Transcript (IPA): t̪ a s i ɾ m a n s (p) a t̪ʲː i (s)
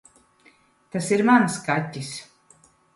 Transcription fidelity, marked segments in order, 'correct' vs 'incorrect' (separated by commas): incorrect, correct